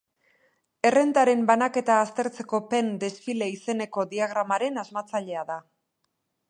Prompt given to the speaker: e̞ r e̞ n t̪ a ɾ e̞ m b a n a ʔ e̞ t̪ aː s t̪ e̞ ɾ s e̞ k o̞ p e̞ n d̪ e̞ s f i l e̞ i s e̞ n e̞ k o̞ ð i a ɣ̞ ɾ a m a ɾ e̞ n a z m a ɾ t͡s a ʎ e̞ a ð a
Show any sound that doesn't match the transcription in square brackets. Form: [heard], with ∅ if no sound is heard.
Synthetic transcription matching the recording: e̞ r e̞ n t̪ a ɾ e̞ m b a n a [k] e̞ t̪ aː s t̪ e̞ ɾ [t͡s] e̞ k o̞ p e̞ n d̪ e̞ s f i l e̞ i s e̞ n e̞ k o̞ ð i a ɣ̞ ɾ a m a ɾ e̞ n a z m a [∅] t͡s a ʎ e̞ a ð a